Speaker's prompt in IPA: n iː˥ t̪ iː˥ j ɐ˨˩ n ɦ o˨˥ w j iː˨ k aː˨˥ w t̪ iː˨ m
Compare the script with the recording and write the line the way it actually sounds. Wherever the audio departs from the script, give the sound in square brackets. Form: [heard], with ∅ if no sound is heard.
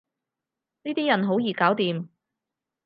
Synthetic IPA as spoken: n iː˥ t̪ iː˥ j ɐ˨˩ n ɦ o˨˥ w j iː˨ k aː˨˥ w t̪ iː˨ m

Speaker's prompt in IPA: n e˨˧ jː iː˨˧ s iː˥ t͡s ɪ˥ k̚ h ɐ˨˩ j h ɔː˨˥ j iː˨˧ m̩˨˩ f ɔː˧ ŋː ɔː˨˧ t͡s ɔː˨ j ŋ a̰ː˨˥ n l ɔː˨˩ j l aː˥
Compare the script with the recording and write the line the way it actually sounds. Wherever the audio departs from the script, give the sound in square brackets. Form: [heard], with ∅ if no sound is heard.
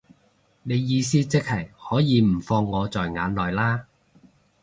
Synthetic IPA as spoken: n e˨˧ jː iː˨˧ s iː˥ t͡s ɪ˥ k̚ h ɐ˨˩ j h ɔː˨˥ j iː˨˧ m̩˨˩ f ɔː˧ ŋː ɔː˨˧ t͡s ɔː˨ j ŋ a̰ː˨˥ n l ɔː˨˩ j l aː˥

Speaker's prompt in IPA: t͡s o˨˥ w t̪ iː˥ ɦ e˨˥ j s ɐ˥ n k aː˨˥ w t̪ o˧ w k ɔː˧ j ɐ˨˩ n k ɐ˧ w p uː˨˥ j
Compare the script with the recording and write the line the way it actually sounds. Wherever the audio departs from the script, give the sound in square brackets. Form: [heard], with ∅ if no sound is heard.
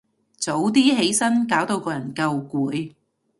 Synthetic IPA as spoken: t͡s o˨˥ w t̪ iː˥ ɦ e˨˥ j s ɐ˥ n k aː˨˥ w t̪ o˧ w k ɔː˧ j ɐ˨˩ n k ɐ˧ w [k] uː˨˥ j

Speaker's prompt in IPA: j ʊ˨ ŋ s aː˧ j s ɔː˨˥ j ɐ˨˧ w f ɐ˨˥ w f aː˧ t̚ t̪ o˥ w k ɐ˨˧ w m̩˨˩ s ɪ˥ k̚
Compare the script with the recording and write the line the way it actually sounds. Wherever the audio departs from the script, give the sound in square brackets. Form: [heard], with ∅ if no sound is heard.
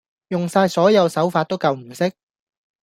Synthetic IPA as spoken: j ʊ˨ ŋ s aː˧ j s ɔː˨˥ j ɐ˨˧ w [s] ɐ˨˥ w f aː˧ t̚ t̪ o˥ w k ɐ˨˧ w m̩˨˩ s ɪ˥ k̚

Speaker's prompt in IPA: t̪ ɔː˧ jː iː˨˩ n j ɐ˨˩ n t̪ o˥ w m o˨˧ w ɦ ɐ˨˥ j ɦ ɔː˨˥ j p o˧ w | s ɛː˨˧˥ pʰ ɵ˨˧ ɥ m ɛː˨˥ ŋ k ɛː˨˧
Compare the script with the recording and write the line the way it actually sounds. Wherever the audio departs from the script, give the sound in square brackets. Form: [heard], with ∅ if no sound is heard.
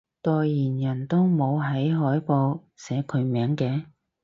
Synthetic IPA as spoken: t̪ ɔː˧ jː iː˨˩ n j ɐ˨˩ n t̪ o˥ w m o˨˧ w ɦ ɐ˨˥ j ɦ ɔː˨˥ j p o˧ w | s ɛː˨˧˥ [kʰ] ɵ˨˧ ɥ m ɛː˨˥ ŋ k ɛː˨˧

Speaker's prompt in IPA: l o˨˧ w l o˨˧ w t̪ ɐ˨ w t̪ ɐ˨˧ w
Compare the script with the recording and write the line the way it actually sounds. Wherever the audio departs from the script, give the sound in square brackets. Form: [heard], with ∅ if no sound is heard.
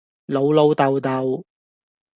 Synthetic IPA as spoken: l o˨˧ w l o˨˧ w t̪ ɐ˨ w t̪ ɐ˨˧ w

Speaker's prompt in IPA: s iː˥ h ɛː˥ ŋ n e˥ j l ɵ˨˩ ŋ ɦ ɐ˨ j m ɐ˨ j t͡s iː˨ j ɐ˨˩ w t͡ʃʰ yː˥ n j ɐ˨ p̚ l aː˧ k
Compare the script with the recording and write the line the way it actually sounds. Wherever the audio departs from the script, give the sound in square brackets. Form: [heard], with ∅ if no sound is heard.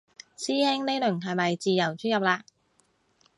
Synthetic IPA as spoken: s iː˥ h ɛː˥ ŋ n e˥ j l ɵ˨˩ ŋ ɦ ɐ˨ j m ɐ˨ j t͡s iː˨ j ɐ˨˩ w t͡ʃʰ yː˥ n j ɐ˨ p̚ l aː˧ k

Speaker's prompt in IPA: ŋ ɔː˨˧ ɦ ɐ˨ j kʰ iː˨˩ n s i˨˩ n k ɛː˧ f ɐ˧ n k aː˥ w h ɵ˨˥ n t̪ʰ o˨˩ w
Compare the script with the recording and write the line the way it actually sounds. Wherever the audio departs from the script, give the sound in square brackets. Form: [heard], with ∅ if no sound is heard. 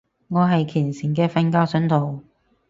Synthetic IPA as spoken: ŋ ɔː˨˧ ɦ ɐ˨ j kʰ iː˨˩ n s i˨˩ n k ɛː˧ f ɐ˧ n k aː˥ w [s] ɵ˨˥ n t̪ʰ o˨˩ w

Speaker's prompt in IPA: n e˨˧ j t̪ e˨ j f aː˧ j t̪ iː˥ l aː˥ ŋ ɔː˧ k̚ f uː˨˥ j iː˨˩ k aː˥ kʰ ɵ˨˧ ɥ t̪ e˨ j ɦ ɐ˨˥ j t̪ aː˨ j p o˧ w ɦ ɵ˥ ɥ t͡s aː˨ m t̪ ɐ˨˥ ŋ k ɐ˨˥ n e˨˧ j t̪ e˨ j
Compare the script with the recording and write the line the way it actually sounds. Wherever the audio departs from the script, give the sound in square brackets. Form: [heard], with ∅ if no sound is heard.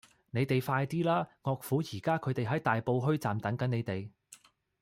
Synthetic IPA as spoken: n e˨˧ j t̪ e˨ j f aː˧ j t̪ iː˥ l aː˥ ŋ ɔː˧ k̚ f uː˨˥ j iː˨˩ k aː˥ kʰ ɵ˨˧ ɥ t̪ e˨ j ɦ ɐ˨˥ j t̪ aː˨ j p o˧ w ɦ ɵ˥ ɥ t͡s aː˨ m t̪ ɐ˨˥ ŋ k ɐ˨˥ n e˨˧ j t̪ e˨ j

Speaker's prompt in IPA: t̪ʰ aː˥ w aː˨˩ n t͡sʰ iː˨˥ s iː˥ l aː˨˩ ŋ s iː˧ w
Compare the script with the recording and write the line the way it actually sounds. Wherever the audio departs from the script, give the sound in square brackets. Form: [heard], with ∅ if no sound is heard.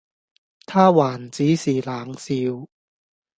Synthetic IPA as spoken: t̪ʰ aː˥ w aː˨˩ n [t͡s] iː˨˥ s [iː˨˩] l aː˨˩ ŋ s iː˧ w

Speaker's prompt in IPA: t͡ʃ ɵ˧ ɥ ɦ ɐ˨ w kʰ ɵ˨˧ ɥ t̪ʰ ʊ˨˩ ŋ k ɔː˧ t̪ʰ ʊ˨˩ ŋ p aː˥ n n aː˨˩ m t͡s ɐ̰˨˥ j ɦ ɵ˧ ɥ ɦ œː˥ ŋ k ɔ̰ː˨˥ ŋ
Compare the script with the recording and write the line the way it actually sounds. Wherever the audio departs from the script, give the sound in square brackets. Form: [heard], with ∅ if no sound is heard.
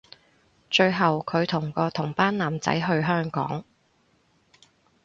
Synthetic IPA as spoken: t͡ʃ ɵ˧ ɥ ɦ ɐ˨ w kʰ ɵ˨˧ ɥ t̪ʰ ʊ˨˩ ŋ k ɔː˧ t̪ʰ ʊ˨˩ ŋ p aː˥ n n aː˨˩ m t͡s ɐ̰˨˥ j ɦ ɵ˧ ɥ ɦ œː˥ ŋ k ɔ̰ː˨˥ ŋ

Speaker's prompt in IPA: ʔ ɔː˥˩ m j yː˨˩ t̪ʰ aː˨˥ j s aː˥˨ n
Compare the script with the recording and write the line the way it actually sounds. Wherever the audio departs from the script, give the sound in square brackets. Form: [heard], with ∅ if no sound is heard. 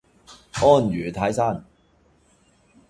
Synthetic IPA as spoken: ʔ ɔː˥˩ [n] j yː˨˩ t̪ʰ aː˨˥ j s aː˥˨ n

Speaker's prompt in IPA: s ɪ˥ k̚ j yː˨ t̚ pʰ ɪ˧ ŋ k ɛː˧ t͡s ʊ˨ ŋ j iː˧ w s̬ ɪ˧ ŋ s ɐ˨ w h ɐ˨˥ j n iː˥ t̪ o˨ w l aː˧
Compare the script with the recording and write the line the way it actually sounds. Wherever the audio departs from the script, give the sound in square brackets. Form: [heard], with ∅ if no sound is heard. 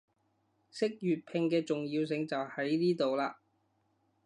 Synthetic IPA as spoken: s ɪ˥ k̚ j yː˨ t̚ pʰ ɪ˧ ŋ k ɛː˧ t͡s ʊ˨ ŋ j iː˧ w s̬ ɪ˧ ŋ [t͡s] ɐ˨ w h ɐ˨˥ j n iː˥ t̪ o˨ w l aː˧

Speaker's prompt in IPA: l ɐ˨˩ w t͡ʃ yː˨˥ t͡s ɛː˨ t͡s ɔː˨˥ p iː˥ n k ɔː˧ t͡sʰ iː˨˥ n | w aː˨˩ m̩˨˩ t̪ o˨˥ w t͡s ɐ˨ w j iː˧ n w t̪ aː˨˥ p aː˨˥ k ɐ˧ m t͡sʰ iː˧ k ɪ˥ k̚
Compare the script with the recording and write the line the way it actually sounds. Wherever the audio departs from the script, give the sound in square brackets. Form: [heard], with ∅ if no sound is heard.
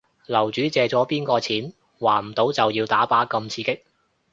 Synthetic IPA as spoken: l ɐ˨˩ w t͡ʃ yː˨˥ t͡s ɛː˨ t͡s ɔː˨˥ p iː˥ n k ɔː˧ t͡sʰ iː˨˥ n | w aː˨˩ m̩˨˩ t̪ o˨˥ w t͡s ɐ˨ w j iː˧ [∅] w t̪ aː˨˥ p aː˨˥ k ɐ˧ m t͡sʰ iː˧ k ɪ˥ k̚

